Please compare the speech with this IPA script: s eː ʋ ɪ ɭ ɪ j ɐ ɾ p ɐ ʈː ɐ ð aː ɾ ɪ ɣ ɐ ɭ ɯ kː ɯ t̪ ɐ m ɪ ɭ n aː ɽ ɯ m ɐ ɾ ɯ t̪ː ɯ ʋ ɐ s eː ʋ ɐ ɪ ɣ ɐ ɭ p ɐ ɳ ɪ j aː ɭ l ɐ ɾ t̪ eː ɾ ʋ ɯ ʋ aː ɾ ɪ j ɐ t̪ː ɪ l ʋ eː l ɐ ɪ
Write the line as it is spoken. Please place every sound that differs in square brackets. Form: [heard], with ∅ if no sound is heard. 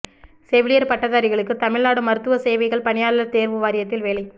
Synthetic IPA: s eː ʋ ɪ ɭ ɪ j ɐ ɾ p ɐ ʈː ɐ ð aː ɾ ɪ ɣ ɐ ɭ ɯ kː ɯ t̪ ɐ m ɪ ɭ n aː ɽ ɯ m ɐ ɾ ɯ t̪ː ɯ ʋ ɐ s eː ʋ ɐ ɪ ɣ ɐ ɭ p ɐ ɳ ɪ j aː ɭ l ɐ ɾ t̪ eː ɾ ʋ ɯ ʋ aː ɾ ɪ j ɐ t̪ː ɪ l ʋ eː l ɐ ɪ